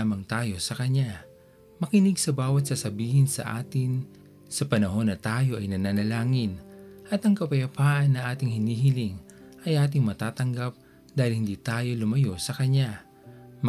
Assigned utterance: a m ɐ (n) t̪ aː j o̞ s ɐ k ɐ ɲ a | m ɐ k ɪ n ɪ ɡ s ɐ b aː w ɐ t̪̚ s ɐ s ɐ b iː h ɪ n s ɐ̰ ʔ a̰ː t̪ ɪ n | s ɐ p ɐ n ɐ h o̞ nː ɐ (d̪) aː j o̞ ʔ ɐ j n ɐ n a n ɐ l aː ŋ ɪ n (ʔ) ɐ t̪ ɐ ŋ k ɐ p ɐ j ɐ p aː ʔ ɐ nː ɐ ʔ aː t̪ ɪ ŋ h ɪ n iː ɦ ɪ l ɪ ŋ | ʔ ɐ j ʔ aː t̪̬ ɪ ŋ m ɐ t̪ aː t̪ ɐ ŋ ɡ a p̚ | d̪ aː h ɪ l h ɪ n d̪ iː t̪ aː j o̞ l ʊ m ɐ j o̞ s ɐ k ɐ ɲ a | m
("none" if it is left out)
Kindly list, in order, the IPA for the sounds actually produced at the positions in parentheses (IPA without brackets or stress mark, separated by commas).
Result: ŋ, t̪, ʔ